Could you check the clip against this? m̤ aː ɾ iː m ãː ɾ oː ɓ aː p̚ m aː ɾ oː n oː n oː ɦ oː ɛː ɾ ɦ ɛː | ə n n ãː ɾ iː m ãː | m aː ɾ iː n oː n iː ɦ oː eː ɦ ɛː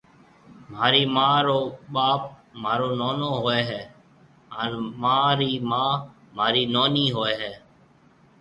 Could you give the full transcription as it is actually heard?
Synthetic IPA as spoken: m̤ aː ɾ iː m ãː ɾ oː ɓ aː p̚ m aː ɾ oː n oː n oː ɦ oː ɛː ɦ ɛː | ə n m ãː ɾ iː m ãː | m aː ɾ iː n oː n iː ɦ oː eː ɦ ɛː

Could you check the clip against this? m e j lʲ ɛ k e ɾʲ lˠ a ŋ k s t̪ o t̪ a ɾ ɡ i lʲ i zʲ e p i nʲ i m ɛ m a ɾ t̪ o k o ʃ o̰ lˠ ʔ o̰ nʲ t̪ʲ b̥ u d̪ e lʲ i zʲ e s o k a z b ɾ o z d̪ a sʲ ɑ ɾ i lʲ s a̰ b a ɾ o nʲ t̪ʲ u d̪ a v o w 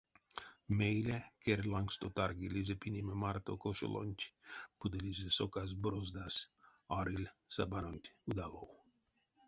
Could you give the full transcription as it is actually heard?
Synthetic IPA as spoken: m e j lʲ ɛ k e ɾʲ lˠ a ŋ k s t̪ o t̪ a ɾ ɡ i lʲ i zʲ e p i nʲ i m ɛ m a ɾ t̪ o k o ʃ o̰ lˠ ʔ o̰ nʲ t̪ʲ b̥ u d̪ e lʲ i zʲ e s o k a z b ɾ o z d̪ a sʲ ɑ ɾ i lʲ s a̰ b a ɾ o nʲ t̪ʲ u d̪ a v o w

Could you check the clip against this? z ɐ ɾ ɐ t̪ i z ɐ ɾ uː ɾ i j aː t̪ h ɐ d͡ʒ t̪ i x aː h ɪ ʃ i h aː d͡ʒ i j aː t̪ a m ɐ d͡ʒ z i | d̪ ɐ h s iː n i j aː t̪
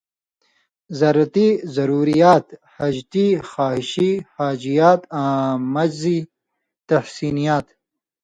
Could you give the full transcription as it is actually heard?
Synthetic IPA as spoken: z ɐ ɾ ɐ t̪ i z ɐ ɾ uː ɾ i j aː t̪ h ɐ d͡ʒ t̪ i x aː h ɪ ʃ i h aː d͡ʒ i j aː t̪ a m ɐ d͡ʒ z i | t̪ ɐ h s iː n i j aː t̪

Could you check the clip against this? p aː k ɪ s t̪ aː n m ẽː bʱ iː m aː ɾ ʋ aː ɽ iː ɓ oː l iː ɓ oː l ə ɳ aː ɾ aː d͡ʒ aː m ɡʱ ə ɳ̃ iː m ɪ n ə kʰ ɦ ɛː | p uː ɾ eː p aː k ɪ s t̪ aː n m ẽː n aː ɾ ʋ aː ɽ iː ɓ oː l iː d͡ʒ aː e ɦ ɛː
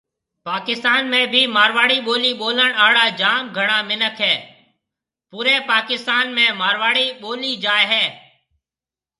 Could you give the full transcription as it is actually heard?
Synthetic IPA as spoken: p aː k ɪ s t̪ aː n m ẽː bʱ iː m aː ɾ ʋ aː ɽ iː ɓ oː l iː ɓ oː l ə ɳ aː ɽ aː d͡ʒ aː m ɡʱ ə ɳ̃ aː m ɪ n ə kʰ ɦ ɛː | p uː ɾ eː p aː k ɪ s t̪ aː n m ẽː m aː ɾ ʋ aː ɽ iː ɓ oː l iː d͡ʒ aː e ɦ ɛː

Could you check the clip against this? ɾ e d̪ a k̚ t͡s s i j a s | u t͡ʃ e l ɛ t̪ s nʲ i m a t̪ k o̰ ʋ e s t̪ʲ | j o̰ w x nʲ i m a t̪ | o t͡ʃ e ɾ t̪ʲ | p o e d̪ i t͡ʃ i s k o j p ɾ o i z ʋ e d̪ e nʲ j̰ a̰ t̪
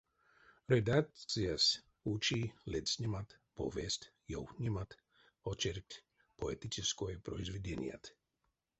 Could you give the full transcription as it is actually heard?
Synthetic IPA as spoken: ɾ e d̪ a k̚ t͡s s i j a s | u t͡ʃ i l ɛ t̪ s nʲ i m a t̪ p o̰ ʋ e s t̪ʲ | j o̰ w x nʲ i m a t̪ | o t͡ʃ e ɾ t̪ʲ | p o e t̪ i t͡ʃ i s k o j p ɾ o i z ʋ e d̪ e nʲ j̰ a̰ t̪

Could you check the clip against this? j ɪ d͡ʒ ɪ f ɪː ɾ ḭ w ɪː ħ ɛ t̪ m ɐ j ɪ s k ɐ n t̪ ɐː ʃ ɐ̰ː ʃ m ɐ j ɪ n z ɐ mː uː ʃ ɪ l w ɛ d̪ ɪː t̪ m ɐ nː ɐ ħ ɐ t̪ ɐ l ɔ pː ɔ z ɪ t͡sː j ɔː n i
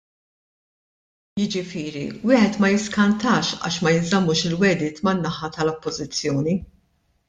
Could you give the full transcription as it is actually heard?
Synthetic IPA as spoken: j ɪ d͡ʒ ɪ f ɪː ɾ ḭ w ɪː ħ ɛ t̪ m ɐ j ɪ s k ɐ n t̪ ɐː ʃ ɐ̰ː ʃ m ɐ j ɪ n z ɐ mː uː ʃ ɪ l w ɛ d̪ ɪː t̪ m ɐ nː ɐ ħ ɐ t̪ ɐ l ɔ pː ɔ z ɪ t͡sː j ɔː n i

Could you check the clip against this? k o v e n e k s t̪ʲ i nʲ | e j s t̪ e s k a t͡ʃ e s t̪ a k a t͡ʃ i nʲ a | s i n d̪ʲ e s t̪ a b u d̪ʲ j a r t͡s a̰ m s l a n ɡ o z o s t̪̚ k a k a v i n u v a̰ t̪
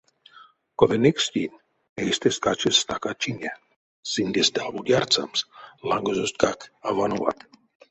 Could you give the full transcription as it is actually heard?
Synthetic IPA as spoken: k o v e n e k s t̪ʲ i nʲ | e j s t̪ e s k a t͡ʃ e s t̪ a k a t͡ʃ i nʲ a | s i n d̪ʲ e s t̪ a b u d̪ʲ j a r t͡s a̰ m s l a ŋ ɡ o z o s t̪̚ k a k a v a n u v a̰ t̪

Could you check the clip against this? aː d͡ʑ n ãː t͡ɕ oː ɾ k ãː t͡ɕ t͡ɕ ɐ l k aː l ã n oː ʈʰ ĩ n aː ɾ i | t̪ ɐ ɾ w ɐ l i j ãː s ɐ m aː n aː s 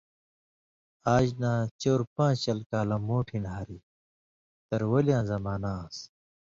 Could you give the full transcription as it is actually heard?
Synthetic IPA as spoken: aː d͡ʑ n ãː t͡ɕ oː ɾ p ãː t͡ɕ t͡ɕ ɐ l k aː l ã m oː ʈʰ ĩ n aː ɾ i | t̪ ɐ ɾ w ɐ l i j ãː z ɐ m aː n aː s

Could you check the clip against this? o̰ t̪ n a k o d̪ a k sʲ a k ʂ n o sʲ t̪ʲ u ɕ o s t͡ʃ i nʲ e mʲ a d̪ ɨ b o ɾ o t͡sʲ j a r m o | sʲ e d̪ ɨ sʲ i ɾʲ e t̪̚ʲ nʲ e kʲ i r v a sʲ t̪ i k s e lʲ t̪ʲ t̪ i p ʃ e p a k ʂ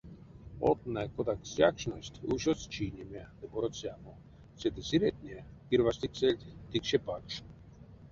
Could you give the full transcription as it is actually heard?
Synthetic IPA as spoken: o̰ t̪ n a k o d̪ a k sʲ a k ʂ n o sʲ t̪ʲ u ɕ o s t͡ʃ i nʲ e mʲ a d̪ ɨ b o ɾ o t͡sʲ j a m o | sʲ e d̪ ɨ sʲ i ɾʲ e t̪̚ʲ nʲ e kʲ i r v a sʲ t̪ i k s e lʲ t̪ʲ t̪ i k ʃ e p a k ʂ

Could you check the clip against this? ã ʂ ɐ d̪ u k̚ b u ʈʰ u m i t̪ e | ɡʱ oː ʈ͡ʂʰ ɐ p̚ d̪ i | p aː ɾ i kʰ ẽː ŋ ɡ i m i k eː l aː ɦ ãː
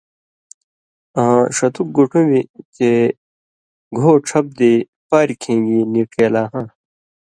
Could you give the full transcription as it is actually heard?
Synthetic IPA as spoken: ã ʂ ɐ t̪ u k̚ ɡ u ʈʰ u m i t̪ e | ɡʱ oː ʈ͡ʂʰ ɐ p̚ d̪ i | p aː ɾ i kʰ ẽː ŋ ɡ i n i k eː l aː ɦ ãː

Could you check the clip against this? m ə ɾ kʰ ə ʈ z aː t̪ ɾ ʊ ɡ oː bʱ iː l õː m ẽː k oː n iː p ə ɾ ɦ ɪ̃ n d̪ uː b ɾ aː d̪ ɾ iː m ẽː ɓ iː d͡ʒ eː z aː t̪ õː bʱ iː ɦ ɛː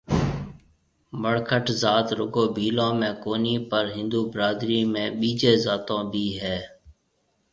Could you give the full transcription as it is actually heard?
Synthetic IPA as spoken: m ə ɽ kʰ ə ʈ z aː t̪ ɾ ʊ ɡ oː bʱ iː l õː m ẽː k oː n iː p ə ɾ ɦ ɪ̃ n d̪ uː b ɾ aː d̪ ɾ iː m ẽː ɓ iː d͡ʒ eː z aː t̪ õː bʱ iː ɦ ɛː

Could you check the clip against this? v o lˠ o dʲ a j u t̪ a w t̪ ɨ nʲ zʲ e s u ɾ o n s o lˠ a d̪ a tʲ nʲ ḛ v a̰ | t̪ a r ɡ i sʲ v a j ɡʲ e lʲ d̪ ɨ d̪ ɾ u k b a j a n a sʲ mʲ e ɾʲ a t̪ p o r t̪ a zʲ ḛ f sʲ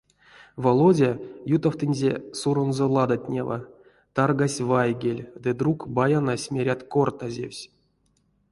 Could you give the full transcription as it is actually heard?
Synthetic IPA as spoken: v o lˠ o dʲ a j u t̪ a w t̪ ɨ nʲ zʲ e s u ɾ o n z o lˠ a d̪ a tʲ nʲ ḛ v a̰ | t̪ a r ɡ a sʲ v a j ɡʲ e lʲ d̪ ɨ d̪ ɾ u k b a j a n a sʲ mʲ e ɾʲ a t̪ k o r t̪ a zʲ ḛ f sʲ

